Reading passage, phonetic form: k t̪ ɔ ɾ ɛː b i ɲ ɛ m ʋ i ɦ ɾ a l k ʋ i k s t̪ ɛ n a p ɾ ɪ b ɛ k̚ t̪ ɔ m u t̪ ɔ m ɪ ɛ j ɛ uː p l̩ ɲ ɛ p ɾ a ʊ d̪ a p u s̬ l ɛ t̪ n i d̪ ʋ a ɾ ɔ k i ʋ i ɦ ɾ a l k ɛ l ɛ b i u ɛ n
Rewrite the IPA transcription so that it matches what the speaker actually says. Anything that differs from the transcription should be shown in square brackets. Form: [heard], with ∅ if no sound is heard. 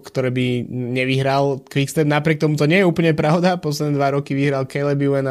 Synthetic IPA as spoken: k t̪ ɔ ɾ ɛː b i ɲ ɛ [∅] ʋ i ɦ ɾ a l k ʋ i k s t̪ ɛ n a p ɾ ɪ [∅] ɛ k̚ t̪ ɔ m u t̪ ɔ [ɲ] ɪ ɛ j ɛ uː p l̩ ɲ ɛ p ɾ a ʊ d̪ a p [ɔ] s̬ l ɛ [d̪] n [ɛ] d̪ ʋ a ɾ ɔ k i ʋ i ɦ ɾ a l k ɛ l ɛ b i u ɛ n